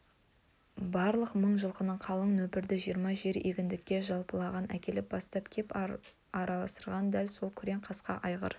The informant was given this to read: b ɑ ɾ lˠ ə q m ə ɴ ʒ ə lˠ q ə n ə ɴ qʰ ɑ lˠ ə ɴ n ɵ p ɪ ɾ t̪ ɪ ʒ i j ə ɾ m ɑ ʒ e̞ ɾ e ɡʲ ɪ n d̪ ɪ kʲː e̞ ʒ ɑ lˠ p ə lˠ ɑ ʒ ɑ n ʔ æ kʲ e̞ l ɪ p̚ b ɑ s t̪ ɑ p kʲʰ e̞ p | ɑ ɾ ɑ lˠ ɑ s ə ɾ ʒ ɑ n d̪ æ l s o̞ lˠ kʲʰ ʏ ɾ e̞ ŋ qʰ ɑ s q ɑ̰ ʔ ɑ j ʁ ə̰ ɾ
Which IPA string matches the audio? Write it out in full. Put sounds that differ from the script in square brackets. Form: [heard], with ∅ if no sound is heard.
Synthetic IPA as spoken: b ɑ ɾ lˠ ə q m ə ɴ ʒ ə lˠ q ə n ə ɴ qʰ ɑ lˠ ə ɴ n ɵ p ɪ ɾ [d̪] ɪ ʒ i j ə ɾ m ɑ ʒ e̞ ɾ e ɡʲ ɪ n d̪ ɪ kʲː e̞ ʒ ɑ lˠ p ə lˠ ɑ [ʁ] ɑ n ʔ æ kʲ e̞ l ɪ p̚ b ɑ s t̪ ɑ p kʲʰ e̞ p | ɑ ɾ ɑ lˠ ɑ s ə ɾ [ʁ] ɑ n d̪ æ l s o̞ lˠ kʲʰ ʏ ɾ e̞ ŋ qʰ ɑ s q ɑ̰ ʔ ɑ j ʁ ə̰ ɾ